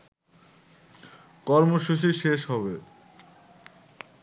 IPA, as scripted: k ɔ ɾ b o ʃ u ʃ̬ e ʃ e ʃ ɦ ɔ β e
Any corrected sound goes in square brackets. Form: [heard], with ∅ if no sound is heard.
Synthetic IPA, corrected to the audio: k ɔ ɾ [m] o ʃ u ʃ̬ [i] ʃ e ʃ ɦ ɔ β e

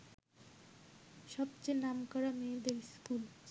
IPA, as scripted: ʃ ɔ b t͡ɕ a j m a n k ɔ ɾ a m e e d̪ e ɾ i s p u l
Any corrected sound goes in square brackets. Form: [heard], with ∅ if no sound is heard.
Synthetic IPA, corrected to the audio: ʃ ɔ b t͡ɕ [e] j [n] a [m] k ɔ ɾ a m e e d̪ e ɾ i s [k] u l

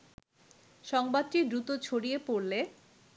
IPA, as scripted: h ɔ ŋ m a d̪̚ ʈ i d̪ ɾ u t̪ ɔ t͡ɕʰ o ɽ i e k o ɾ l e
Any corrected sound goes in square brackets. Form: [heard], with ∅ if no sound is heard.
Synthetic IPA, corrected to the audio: [ʃ] ɔ ŋ [b] a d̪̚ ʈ i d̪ ɾ u t̪ [o] t͡ɕʰ o ɽ i e [p] o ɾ l e

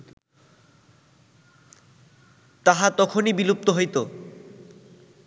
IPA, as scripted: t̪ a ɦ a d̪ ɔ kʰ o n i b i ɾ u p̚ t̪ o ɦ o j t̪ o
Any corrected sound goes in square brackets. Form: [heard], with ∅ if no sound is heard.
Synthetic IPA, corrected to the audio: t̪ a ɦ a [t̪] ɔ kʰ o n i b i [l] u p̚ t̪ o ɦ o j t̪ o

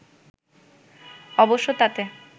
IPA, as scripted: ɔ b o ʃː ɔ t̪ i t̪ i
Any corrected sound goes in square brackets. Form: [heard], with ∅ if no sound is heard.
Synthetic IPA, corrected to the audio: ɔ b o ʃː [o] t̪ [a] t̪ [e]

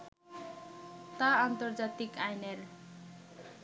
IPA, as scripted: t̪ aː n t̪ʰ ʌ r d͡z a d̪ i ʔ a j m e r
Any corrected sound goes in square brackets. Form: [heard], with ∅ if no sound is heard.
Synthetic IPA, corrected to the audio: t̪ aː n [t̪] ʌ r d͡z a [t̪] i [k] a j [n] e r

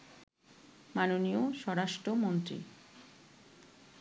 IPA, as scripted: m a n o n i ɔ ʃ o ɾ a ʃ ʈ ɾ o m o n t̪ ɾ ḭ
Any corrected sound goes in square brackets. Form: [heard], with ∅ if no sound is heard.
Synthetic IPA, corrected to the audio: m a n o n i [o] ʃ [ɔ] ɾ a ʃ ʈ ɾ o m o n t̪ ɾ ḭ

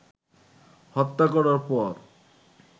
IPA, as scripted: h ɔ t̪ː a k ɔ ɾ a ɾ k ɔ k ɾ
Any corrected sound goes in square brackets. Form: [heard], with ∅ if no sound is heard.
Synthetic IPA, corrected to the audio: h ɔ t̪ː a k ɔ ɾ a ɾ [p] ɔ [∅] ɾ

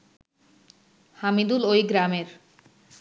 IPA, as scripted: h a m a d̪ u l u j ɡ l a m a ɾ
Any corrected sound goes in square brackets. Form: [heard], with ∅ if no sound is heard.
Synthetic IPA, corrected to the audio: h a m [i] d̪ u l [o] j ɡ [ɾ] a m [e] ɾ

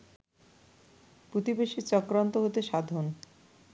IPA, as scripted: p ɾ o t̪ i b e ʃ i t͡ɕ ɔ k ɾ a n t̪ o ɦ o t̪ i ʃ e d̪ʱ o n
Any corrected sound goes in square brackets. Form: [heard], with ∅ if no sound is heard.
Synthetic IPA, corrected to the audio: p ɾ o t̪ i b e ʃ i t͡ɕ ɔ k ɾ a n t̪ o ɦ o t̪ [e] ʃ [a] d̪ʱ o n

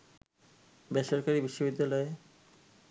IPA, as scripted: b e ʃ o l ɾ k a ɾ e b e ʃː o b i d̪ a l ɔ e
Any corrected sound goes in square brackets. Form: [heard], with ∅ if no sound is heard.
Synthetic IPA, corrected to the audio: b e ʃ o [∅] ɾ k a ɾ [i] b [i] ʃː o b i [d̪ː] a l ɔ e

